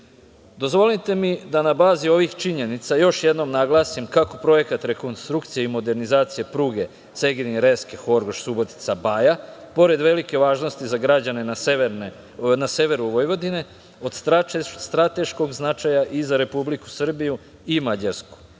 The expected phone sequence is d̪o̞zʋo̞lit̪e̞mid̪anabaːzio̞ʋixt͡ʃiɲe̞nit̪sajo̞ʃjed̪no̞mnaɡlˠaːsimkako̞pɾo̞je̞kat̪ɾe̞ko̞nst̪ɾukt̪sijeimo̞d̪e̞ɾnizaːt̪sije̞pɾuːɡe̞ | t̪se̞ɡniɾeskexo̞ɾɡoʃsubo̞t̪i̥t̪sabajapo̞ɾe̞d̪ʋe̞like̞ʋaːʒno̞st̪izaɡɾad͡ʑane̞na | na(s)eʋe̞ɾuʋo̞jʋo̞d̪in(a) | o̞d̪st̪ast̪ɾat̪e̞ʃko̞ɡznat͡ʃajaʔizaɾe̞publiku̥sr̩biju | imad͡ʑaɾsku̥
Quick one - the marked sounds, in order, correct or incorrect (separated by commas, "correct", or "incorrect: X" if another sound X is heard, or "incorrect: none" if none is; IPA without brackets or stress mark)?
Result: correct, incorrect: e